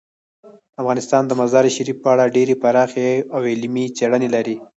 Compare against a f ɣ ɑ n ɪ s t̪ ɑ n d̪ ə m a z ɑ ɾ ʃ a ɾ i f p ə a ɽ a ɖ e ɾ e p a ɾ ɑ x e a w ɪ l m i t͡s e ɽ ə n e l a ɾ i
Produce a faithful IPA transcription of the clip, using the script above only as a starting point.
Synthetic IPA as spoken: a f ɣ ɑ n ɪ s t̪ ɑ n d̪ ə m a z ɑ ɾ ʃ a ɾ i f p ə a ɽ a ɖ e ɾ e p a ɾ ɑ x e a w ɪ l m i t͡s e ɽ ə n e l a ɾ i